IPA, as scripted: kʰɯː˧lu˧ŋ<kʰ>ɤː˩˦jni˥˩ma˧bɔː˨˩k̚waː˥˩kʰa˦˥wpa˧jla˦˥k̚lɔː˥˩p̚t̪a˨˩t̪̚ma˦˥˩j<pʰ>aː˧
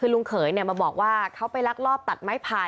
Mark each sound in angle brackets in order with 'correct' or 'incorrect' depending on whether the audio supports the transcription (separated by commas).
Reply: correct, correct